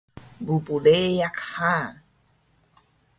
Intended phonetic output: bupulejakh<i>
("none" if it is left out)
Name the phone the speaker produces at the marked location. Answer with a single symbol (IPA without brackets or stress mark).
a